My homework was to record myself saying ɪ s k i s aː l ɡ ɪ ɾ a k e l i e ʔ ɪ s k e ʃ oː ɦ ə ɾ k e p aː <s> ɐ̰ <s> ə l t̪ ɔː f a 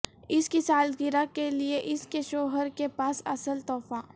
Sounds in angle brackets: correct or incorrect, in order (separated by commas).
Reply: correct, correct